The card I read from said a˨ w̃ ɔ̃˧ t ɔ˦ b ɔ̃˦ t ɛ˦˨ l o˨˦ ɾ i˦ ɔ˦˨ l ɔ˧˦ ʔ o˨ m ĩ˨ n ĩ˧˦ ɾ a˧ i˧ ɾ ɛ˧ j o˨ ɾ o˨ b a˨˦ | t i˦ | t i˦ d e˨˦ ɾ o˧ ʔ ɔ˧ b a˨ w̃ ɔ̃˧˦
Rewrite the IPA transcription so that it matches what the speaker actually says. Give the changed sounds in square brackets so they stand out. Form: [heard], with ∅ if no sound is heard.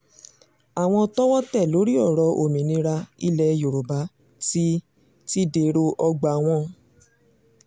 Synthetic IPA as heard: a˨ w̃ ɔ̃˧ t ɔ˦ [w] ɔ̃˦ t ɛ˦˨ l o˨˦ ɾ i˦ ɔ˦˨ [ɾ] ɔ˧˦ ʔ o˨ m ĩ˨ n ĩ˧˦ ɾ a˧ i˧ [l] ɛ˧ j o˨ ɾ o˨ b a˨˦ | t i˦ | t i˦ d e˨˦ ɾ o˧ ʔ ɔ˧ [ɡ͡b] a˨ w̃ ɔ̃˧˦